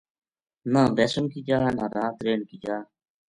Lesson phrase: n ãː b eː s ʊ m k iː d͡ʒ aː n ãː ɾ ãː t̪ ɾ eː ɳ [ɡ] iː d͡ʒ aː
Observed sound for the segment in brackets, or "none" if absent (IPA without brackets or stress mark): k